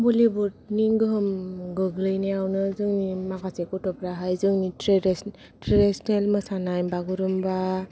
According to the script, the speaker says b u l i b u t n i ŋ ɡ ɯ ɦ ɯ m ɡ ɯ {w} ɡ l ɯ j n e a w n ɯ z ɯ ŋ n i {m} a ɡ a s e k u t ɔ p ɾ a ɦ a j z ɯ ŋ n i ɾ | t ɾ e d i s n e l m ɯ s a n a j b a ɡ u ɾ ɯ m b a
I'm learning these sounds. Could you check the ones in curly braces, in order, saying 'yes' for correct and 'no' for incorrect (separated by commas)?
no, yes